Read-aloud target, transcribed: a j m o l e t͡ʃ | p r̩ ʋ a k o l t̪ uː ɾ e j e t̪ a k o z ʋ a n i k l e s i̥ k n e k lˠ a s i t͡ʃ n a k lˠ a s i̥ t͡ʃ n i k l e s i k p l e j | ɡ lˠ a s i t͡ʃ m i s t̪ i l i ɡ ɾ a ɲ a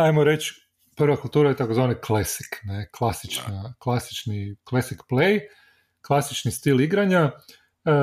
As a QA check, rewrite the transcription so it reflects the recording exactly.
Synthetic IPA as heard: a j m o ɾ e t͡ʃ | p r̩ ʋ a k u l t̪ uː ɾ a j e t̪ a k o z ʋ a n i k l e s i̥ k n e k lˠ a s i t͡ʃ n a k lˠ a s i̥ t͡ʃ n i k l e s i k p l e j | k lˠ a s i t͡ʃ n i s t̪ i l i ɡ ɾ a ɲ a